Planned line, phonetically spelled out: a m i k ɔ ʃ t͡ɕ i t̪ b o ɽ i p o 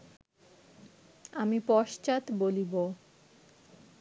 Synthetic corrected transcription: a m i p ɔ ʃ t͡ɕ a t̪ b o l i b o